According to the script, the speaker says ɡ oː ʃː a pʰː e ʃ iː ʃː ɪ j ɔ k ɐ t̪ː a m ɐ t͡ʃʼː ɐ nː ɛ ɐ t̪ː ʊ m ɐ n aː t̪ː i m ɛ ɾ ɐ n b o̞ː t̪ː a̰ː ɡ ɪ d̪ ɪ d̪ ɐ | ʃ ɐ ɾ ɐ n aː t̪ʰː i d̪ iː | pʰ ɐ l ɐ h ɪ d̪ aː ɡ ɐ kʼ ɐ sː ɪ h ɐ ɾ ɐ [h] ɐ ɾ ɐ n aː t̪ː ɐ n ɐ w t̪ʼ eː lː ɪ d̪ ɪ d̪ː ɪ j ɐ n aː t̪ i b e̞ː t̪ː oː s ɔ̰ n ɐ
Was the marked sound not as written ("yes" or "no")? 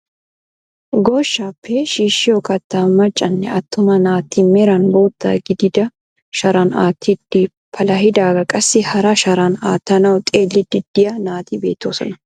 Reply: yes